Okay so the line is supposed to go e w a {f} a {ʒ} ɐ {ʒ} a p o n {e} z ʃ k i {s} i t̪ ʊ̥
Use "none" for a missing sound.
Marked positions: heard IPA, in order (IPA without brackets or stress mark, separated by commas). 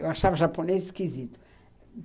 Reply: ʃ, v, ʒ, e, z